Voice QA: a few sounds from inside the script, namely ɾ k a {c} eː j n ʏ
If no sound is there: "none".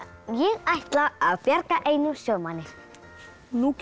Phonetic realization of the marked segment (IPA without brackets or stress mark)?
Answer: ʔ